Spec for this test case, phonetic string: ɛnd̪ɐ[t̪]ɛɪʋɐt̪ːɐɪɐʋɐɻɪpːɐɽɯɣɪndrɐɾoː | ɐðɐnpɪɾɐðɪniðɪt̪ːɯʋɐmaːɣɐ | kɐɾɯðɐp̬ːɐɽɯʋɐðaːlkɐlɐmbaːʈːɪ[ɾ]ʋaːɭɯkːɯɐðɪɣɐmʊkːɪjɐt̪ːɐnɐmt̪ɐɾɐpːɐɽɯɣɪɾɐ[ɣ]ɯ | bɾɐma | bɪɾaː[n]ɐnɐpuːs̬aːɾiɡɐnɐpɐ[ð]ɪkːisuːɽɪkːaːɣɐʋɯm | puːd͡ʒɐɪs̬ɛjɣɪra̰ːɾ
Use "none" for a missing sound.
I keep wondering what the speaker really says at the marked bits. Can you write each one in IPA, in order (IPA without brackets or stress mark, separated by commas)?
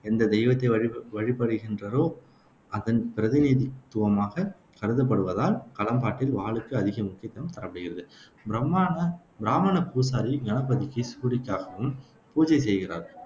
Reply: d̪, l, ð, m, ð